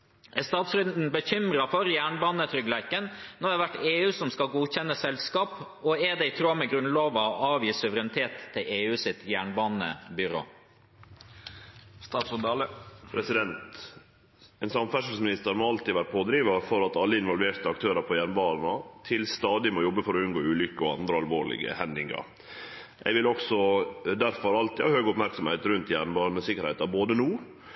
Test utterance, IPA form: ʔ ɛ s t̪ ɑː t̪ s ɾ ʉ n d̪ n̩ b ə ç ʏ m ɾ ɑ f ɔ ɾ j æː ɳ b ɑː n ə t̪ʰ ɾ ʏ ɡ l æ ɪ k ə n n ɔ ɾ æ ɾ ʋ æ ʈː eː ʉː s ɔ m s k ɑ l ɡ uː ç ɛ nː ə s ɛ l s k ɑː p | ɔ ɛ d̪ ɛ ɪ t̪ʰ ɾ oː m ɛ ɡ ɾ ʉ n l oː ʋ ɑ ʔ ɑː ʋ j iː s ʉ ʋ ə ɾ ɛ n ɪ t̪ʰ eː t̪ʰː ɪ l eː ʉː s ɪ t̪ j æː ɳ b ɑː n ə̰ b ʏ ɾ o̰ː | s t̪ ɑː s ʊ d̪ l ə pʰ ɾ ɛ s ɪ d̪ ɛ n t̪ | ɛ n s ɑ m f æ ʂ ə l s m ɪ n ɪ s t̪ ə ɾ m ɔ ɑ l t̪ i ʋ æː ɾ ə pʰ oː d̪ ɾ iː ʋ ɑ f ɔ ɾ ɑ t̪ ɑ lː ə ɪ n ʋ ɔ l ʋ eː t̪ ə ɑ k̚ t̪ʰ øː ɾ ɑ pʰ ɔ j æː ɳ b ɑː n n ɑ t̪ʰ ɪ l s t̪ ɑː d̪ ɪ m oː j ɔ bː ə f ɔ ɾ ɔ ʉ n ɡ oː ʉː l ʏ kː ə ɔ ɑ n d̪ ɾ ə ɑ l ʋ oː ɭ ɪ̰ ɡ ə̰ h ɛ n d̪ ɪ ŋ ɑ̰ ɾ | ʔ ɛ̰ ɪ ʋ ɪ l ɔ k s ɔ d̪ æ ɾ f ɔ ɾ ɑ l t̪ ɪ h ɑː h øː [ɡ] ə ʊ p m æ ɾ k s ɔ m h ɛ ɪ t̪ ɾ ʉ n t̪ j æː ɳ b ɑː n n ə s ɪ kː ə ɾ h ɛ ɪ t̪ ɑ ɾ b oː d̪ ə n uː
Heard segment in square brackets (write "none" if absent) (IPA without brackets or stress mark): ɡ